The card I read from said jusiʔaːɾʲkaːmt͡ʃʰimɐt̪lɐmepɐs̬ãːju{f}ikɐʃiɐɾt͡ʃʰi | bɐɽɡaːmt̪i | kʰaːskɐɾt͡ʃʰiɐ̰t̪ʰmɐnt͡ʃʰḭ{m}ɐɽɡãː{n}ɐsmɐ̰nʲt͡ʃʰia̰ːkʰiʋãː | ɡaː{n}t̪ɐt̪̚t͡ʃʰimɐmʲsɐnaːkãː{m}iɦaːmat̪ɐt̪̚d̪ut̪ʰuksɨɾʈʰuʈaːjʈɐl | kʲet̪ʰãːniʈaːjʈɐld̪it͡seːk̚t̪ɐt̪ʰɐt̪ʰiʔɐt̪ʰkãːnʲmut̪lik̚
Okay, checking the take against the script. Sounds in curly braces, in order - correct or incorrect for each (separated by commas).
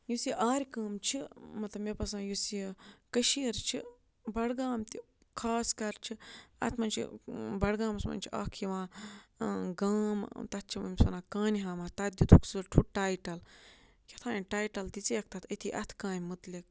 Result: incorrect, incorrect, incorrect, incorrect, incorrect